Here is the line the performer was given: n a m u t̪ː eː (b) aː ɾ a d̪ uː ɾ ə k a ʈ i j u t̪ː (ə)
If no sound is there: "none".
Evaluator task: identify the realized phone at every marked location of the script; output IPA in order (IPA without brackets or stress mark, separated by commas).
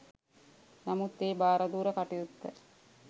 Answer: b, ə